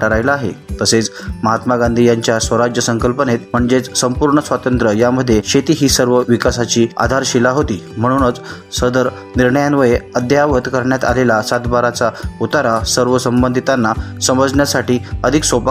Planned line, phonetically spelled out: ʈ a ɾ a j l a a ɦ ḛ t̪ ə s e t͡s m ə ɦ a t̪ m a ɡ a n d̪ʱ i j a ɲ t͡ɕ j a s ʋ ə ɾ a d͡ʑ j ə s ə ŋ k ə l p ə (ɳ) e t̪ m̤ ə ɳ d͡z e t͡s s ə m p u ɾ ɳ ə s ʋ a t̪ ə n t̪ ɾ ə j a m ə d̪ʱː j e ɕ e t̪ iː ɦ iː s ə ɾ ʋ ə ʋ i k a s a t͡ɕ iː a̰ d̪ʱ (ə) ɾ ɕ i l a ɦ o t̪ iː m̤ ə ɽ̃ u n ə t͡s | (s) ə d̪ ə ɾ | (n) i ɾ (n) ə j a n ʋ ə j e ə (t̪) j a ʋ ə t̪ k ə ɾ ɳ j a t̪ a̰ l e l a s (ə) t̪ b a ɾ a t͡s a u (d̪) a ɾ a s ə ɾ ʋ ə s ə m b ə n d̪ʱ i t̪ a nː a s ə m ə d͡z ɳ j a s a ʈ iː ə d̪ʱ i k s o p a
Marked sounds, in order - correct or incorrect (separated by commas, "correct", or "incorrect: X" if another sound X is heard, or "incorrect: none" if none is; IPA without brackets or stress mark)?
incorrect: n, incorrect: a, correct, correct, incorrect: ɳ, incorrect: d̪, incorrect: a, incorrect: t̪